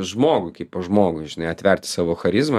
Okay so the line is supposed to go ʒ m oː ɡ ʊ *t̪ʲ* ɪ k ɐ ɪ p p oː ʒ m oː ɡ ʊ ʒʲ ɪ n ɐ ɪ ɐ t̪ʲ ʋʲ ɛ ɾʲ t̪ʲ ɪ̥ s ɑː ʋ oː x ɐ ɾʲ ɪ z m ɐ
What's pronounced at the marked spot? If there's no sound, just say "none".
none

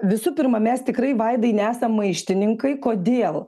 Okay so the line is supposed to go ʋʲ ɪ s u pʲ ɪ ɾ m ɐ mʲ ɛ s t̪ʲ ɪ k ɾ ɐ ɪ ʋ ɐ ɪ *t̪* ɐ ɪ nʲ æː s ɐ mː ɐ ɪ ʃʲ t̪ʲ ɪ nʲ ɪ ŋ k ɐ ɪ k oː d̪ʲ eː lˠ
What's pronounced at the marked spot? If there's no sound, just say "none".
d̪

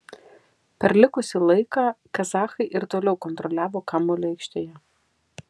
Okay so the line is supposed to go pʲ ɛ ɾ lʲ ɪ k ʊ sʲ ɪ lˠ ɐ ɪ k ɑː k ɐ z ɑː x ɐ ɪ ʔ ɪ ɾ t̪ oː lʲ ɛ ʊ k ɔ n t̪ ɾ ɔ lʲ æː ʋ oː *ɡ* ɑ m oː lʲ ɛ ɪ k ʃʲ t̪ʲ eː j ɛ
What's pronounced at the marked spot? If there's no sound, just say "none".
k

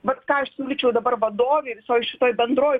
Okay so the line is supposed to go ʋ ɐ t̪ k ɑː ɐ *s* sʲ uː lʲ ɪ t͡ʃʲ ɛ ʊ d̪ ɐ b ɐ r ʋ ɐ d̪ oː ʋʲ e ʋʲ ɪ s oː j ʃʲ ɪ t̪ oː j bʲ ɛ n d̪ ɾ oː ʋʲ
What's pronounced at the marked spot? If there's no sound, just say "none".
ʃ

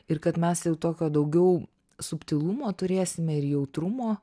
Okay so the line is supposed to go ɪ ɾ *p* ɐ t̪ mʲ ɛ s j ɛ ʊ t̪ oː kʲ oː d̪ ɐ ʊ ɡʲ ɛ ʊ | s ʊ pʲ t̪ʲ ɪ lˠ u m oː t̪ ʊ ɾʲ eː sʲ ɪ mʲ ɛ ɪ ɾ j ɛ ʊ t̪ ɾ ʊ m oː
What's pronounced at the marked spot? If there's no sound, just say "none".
k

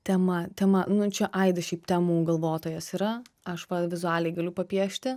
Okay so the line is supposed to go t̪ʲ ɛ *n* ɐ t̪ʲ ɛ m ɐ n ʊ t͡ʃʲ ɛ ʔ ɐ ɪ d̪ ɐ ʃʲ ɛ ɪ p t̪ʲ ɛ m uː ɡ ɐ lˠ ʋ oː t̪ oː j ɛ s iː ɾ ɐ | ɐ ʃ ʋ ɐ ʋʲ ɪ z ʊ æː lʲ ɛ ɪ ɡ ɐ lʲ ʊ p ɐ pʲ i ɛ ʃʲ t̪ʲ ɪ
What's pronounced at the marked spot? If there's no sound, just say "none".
m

